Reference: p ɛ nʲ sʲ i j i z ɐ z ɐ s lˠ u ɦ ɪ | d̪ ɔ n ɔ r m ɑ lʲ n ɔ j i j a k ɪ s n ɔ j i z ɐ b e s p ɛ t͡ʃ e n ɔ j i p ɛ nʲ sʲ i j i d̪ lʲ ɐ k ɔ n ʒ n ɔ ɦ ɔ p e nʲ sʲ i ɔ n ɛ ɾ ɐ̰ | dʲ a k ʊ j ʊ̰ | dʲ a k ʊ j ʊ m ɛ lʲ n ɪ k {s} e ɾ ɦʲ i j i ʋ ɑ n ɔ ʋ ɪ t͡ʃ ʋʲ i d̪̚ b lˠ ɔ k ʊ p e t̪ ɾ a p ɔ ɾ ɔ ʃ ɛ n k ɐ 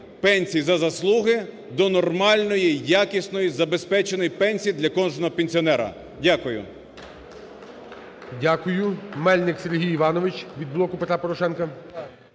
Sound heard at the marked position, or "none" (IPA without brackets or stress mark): s